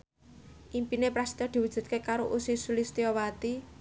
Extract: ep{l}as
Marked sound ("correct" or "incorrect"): incorrect